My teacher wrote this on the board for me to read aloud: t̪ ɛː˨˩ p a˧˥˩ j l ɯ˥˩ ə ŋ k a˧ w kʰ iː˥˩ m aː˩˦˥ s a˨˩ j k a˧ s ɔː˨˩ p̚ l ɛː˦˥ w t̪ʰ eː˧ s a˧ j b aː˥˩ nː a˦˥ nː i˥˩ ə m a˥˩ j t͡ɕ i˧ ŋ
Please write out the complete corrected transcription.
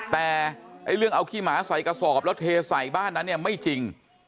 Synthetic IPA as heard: t̪ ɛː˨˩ ʔ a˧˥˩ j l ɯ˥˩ ə ŋ ʔ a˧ w kʰ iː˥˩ m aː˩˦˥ s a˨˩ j k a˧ s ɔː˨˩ p̚ l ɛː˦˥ w t̪ʰ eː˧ s a˨˩ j b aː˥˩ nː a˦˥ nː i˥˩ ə m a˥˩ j t͡ɕ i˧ ŋ